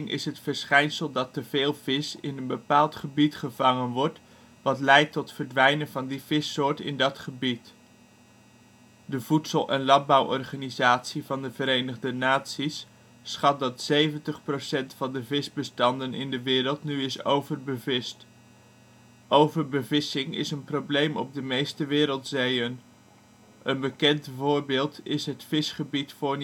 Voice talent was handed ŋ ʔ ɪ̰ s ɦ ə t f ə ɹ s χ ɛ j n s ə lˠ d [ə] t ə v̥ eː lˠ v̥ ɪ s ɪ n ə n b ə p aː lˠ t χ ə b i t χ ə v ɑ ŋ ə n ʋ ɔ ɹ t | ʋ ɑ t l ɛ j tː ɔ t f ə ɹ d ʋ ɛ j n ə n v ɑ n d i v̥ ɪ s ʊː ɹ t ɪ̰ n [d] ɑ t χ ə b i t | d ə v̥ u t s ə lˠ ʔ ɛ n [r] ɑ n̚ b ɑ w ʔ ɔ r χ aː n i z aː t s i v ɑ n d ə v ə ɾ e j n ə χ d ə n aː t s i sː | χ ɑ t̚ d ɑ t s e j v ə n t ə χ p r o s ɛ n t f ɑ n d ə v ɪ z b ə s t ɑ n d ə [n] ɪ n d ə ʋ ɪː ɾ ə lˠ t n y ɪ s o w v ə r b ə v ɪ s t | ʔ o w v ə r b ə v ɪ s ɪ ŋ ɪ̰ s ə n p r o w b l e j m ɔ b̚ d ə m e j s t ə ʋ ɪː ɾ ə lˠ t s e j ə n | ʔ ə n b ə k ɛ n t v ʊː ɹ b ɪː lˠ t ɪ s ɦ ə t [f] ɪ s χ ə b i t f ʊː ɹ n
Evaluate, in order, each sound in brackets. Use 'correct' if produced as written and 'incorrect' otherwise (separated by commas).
incorrect, correct, incorrect, correct, correct